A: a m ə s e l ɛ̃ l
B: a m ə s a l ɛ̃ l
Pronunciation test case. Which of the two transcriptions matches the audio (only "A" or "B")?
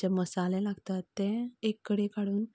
B